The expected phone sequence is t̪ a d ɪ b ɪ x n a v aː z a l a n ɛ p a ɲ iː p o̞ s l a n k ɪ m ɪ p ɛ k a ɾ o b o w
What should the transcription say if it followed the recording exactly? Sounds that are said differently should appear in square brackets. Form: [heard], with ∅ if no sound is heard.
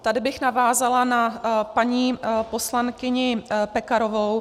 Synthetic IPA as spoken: t̪ a d ɪ b ɪ x n a v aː z a l a n [a] p a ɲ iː p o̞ s l a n k ɪ [ɲ] ɪ p ɛ k a ɾ o [v] o w

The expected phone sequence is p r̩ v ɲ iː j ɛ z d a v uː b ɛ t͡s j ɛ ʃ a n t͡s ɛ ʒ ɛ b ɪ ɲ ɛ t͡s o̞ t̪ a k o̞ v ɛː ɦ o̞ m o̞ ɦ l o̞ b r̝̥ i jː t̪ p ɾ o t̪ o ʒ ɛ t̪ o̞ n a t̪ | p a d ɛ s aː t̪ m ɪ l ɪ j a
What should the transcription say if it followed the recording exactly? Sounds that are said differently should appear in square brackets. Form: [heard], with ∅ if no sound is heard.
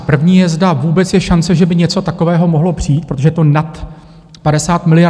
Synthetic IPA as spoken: p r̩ v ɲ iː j ɛ z d a v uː b ɛ t͡s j ɛ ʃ a n t͡s ɛ ʒ ɛ b ɪ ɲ ɛ t͡s o̞ t̪ a k o̞ v ɛː ɦ o̞ m o̞ ɦ l o̞ [p] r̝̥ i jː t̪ p ɾ o t̪ o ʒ ɛ t̪ o̞ n a t̪ | p a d ɛ s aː t̪ m ɪ l ɪ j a

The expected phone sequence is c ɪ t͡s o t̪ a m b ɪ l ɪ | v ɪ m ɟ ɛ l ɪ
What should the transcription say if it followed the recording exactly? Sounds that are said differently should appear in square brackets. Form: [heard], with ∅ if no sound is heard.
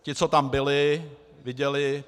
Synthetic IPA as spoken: c ɪ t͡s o t̪ a m b ɪ l ɪ | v ɪ [∅] ɟ ɛ l ɪ

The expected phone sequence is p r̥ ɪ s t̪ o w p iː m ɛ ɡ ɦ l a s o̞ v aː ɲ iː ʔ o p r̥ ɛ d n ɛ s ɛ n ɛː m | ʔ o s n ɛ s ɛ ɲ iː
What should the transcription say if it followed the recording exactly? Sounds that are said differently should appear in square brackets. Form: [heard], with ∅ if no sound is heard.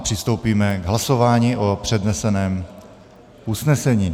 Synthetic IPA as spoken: p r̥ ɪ s t̪ o w p iː m ɛ ɡ ɦ l a s o̞ v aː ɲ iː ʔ o p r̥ ɛ d n ɛ s ɛ n ɛː m | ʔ [u] s n ɛ s ɛ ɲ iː

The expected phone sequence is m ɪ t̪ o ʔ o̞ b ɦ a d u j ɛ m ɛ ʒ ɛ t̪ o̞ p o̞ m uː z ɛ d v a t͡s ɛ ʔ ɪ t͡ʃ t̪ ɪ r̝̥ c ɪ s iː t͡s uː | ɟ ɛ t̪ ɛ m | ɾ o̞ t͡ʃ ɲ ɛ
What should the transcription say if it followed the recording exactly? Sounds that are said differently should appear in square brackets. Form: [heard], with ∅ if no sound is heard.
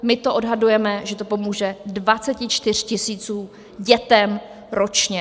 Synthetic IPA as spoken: m ɪ t̪ o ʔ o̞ [d] ɦ a d u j ɛ m ɛ ʒ ɛ t̪ o̞ p o̞ m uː [ʒ] ɛ d v a t͡s ɛ [c] ɪ t͡ʃ t̪ ɪ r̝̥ c ɪ s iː t͡s uː | ɟ ɛ t̪ ɛ m | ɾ o̞ t͡ʃ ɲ ɛ

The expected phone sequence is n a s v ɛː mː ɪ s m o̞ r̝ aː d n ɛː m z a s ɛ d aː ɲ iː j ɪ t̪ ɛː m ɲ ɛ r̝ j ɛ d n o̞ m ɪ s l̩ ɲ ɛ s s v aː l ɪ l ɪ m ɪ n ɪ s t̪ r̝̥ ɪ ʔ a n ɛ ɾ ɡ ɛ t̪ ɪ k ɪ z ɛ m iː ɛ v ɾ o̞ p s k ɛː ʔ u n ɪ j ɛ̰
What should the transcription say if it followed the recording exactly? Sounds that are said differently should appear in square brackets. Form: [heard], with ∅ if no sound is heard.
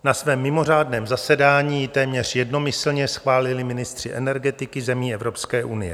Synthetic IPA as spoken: n a s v ɛː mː ɪ [∅] m o̞ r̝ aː d n ɛː m z a s ɛ d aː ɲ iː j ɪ t̪ ɛː m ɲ ɛ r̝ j ɛ d n o̞ m ɪ s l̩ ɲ ɛ s [x] v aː l ɪ l ɪ m ɪ n ɪ s t̪ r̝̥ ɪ ʔ [ɛ] n ɛ ɾ ɡ ɛ t̪ ɪ k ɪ z ɛ m iː ɛ v ɾ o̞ p s k ɛː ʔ u n ɪ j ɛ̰

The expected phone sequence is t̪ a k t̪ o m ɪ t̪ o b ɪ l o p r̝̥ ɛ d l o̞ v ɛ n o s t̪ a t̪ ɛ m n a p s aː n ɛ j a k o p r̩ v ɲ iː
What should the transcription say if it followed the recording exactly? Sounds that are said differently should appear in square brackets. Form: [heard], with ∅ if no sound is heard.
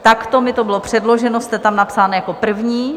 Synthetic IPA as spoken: t̪ a k t̪ o m ɪ t̪ o b ɪ l o p r̝̥ ɛ d l o̞ [ʒ] ɛ n o s t̪ [ɛ] t̪ [a] m n a p s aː n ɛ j a k o p r̩ v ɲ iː

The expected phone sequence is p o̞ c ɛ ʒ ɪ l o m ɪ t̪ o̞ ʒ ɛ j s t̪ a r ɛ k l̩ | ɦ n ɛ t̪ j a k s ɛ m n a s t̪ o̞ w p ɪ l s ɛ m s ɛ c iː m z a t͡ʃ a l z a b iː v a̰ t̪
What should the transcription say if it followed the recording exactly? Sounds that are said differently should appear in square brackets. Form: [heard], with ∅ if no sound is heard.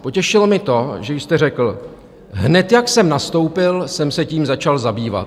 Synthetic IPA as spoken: p o̞ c ɛ [ʃ] ɪ l o m ɪ t̪ o̞ ʒ ɛ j s t̪ [ɛ] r ɛ k l̩ | ɦ n ɛ t̪ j a k s ɛ m n a s t̪ o̞ w p ɪ l s ɛ m s ɛ c iː m z a t͡ʃ a l z a b iː v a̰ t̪

